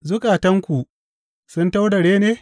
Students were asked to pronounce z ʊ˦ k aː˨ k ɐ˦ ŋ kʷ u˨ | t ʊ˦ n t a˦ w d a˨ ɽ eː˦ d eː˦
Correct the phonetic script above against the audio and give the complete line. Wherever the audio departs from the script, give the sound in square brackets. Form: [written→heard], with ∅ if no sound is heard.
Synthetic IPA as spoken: z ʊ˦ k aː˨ [k→t] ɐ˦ ŋ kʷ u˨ | [t→s] ʊ˦ n t a˦ w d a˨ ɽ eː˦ [d→n] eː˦